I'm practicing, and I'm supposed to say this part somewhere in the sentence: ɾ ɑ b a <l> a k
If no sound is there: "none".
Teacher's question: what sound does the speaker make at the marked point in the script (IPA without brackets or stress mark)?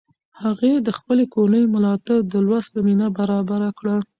ɾ